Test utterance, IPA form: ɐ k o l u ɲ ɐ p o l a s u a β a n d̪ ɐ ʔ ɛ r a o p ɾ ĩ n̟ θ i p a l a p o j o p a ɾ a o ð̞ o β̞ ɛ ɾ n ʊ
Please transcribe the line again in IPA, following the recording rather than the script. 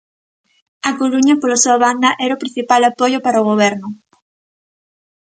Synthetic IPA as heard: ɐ k o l u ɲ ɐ p o l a s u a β a n d̪ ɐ ʔ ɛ ɾ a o p ɾ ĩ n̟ θ i p a l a p o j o p a ɾ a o ɣ̞ o β̞ ɛ ɾ n ʊ

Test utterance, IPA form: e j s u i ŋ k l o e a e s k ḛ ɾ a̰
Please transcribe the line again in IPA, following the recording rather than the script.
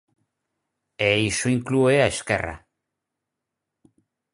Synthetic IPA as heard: e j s u i ŋ k l u e a e s k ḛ r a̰

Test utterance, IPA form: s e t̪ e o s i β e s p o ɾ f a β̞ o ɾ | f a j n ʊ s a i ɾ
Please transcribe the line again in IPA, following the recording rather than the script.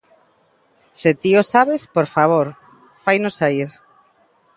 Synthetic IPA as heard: s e t̪ i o s a β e s p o ɾ f a β̞ o ɾ | f a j n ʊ s a i ɾ

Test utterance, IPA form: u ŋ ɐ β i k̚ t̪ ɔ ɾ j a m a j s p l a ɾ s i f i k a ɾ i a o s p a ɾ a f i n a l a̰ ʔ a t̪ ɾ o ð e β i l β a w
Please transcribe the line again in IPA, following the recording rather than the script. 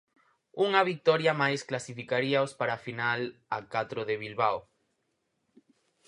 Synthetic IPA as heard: u ŋ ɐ β i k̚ t̪ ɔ ɾ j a m a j s k l a s i f i k a ɾ i a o s p a ɾ a f i n a l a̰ k a t̪ ɾ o ð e β i l β a w

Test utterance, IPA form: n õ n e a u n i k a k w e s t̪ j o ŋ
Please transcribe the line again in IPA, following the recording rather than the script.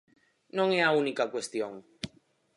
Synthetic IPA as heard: n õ ŋ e a u n i k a k w e s t̪ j o ŋ

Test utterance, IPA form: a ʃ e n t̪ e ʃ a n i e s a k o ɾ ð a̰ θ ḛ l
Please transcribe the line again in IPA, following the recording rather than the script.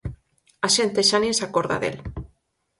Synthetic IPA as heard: a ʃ e n t̪ e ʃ a n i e s a k o ɾ ð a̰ ð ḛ l

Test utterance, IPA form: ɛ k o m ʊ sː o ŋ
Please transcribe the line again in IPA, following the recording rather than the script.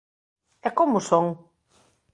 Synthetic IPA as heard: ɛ k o m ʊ s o ŋ

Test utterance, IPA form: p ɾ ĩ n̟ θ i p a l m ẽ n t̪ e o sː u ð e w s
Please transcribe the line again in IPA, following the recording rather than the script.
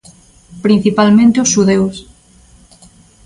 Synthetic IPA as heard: p ɾ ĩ n̟ θ i p a l m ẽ n t̪ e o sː u ð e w s

